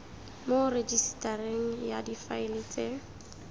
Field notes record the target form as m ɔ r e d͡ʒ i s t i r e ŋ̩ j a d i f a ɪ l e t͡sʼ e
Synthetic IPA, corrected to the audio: m o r e d͡ʒ i s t a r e ŋ̩ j a d i f a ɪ l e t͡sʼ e